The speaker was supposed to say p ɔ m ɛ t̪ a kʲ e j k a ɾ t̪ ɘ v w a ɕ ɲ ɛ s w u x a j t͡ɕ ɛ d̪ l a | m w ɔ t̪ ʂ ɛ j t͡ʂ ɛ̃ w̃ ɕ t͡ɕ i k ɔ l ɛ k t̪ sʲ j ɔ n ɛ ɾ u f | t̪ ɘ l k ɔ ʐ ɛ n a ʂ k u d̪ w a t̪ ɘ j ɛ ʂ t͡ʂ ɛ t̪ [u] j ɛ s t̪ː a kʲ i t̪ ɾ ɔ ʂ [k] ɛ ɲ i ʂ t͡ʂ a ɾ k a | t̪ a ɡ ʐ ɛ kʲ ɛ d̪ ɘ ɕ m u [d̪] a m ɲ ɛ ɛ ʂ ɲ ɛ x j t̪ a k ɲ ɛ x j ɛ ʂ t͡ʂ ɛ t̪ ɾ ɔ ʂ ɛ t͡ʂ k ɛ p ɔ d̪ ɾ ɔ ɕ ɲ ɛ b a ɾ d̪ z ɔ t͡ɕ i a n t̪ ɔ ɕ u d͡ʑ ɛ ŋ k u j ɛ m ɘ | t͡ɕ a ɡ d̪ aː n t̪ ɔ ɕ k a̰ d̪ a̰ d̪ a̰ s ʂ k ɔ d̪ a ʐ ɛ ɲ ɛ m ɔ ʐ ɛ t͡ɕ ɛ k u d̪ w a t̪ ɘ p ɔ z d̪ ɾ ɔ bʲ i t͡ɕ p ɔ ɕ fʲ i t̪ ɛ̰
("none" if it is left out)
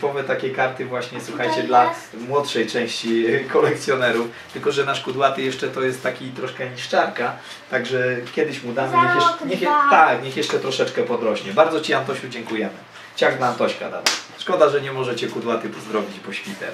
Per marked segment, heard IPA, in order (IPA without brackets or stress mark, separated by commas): ɔ, k, d̪